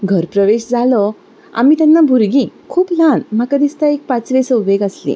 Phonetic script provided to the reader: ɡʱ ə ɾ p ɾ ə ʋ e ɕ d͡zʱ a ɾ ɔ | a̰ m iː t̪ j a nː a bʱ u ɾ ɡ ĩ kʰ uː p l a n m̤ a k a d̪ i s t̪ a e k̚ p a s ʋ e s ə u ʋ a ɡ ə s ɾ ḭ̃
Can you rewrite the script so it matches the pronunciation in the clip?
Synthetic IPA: ɡʱ ə ɾ p ɾ ə ʋ e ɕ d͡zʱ a l ɔ | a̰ m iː t̪ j a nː a bʱ u ɾ ɡ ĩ kʰ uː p l a n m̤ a k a d̪ i s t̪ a e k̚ p a t͡s ʋ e s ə u ʋ e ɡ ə s l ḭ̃